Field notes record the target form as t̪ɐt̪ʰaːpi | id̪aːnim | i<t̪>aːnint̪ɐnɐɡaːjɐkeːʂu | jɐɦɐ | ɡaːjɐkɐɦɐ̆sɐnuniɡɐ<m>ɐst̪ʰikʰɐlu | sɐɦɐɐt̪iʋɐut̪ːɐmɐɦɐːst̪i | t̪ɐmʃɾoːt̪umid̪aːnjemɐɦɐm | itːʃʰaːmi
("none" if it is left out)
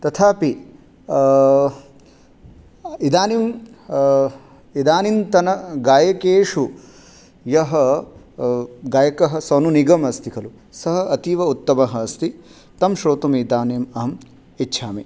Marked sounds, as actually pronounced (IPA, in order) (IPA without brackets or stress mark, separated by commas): d̪, m